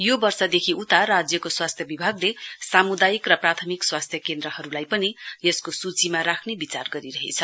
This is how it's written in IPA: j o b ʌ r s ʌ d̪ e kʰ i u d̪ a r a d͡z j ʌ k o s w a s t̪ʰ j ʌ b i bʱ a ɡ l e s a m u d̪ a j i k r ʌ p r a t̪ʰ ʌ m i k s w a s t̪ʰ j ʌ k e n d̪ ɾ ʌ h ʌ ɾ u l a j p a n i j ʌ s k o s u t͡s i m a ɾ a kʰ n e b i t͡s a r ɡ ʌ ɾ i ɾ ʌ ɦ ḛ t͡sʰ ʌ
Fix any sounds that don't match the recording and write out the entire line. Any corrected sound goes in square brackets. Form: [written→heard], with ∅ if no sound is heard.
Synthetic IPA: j o b ʌ r s ʌ d̪ e kʰ i u [d̪→t̪] a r a d͡z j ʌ k o s w a s t̪ʰ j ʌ b i bʱ a ɡ l e s a m u d̪ a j i k r ʌ p r a t̪ʰ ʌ m i k s w a s t̪ʰ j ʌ k e n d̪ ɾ ʌ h ʌ ɾ u l a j p [a→ʌ] n i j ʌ s k o s u t͡s i m a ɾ a kʰ n e b i t͡s a r ɡ ʌ ɾ i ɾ ʌ ɦ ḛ t͡sʰ ʌ